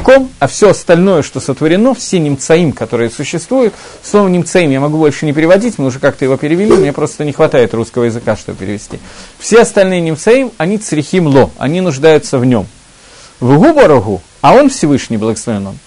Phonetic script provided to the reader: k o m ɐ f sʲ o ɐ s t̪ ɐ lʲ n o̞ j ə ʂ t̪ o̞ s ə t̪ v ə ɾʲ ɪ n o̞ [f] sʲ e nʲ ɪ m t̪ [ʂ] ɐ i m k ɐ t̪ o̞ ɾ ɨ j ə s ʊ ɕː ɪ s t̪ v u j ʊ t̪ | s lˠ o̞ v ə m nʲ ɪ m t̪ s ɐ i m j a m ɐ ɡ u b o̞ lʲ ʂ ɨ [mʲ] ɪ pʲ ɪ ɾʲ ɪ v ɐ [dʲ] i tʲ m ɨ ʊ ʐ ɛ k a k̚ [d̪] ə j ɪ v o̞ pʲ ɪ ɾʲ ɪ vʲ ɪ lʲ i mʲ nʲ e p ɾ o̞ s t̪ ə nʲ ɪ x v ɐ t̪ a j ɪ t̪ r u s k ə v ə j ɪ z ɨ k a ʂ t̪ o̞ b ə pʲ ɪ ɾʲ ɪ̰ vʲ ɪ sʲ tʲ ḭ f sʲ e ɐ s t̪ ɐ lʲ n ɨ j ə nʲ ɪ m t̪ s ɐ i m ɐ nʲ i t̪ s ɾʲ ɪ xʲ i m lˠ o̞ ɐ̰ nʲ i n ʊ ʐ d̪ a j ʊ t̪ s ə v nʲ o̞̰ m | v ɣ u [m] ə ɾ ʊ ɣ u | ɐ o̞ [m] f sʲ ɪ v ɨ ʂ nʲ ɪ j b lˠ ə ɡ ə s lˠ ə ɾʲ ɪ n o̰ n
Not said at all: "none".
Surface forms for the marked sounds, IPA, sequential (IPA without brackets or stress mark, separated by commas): f, s, nʲ, dʲ, t̪, b, n